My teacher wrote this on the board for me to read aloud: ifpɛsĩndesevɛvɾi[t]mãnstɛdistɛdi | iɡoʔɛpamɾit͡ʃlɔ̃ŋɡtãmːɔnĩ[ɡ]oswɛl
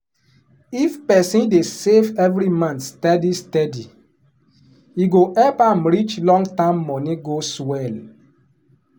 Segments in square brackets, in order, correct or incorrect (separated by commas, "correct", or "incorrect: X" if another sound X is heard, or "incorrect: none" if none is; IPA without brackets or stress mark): incorrect: none, correct